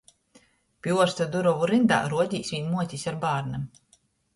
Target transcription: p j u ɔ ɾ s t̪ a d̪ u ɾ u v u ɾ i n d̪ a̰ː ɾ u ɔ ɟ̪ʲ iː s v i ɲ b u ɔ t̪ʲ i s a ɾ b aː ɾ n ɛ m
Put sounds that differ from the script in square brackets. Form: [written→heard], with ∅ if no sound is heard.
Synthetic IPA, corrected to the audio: p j u ɔ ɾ s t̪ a d̪ u ɾ [u→ɔ] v u ɾ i n d̪ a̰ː ɾ u ɔ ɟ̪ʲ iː s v i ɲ [b→m] u ɔ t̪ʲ i s a ɾ b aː ɾ n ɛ m